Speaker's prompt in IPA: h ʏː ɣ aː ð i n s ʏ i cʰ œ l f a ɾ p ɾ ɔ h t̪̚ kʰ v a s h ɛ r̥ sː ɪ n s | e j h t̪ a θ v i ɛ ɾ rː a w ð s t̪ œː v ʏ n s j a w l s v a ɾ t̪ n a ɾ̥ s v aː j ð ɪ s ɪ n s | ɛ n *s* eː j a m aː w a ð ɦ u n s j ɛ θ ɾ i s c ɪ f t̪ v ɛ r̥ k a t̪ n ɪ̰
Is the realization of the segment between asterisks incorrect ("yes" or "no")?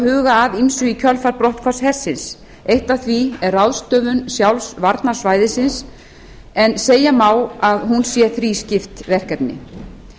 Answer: no